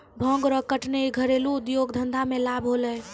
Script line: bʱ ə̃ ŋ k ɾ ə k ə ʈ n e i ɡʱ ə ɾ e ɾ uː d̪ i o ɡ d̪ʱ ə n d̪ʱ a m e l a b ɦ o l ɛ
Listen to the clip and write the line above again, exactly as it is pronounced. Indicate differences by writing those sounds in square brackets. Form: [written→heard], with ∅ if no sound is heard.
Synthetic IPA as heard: bʱ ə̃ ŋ [k→ɡ] ɾ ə k ə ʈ n e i ɡʱ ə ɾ e [ɾ→l] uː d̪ [i→j] o ɡ d̪ʱ ə n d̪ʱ a m e l a b ɦ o l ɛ